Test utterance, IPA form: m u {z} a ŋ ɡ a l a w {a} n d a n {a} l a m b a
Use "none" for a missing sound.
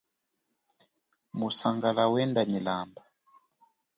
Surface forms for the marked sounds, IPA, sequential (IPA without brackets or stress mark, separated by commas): s, ɛ, i